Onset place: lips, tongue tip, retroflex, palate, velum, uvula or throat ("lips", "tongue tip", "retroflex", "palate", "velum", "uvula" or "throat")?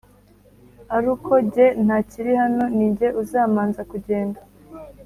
tongue tip